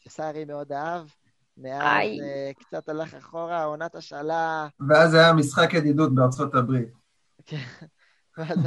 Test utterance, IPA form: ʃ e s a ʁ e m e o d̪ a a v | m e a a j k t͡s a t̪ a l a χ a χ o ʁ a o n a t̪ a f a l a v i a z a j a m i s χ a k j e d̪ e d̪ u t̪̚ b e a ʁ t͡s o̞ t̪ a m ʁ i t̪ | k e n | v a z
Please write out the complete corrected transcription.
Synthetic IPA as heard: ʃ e s a ʁ i m e o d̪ a a v | m e a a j k t͡s a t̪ a l a χ a χ o ʁ a o n a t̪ a ʃ a l a v e a z a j a m i s χ a k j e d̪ i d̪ u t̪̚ b e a ʁ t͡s o̞ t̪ a b ʁ i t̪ | k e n | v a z